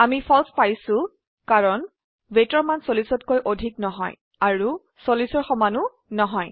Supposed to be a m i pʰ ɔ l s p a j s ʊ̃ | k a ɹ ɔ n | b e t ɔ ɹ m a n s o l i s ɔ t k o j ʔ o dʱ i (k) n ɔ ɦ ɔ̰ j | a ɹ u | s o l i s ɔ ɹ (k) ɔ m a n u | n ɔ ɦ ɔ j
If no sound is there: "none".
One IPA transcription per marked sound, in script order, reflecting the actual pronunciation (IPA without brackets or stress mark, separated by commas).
k, x